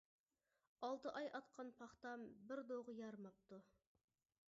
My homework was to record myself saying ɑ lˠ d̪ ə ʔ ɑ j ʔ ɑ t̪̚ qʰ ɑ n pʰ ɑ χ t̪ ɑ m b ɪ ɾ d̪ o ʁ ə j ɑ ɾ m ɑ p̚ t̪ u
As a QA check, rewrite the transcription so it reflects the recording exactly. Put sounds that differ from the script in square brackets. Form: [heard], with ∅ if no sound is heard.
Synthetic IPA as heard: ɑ lˠ [t̪] ə ʔ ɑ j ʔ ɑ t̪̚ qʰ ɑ n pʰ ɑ χ t̪ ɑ m b ɪ ɾ d̪ o ʁ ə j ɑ ɾ m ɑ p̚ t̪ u

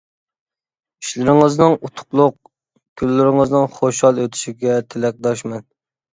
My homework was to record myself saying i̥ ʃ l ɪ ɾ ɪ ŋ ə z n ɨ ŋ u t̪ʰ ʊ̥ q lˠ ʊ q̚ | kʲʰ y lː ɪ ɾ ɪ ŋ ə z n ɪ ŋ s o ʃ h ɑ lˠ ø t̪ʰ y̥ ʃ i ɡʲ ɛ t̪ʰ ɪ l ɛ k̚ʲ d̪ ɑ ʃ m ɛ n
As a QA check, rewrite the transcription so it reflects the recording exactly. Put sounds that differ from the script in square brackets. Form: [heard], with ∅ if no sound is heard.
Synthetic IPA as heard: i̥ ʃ l ɪ ɾ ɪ ŋ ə z n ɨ ŋ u t̪ʰ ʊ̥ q lˠ ʊ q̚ | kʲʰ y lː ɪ ɾ ɪ ŋ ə z n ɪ ŋ [χ] o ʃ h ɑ lˠ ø t̪ʰ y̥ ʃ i ɡʲ ɛ t̪ʰ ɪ l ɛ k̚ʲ d̪ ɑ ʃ m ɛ n

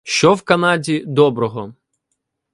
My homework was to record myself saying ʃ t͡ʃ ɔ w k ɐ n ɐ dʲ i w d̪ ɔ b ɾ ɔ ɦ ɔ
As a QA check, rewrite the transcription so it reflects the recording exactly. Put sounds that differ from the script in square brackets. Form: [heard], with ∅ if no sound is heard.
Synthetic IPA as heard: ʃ t͡ʃ ɔ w k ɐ n [ɑ] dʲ i [∅] d̪ ɔ b ɾ ɔ ɦ ɔ

